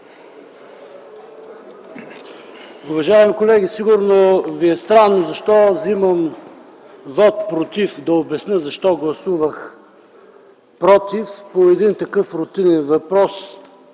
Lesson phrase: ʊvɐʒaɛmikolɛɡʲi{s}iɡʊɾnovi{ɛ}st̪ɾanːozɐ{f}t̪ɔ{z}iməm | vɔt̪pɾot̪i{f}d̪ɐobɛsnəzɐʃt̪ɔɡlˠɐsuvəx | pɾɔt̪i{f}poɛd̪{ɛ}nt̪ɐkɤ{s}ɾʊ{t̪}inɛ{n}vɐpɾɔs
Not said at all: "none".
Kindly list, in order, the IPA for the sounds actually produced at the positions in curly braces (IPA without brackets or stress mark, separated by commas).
s, ɛ, ʃ, z, f, f, i, f, t̪, n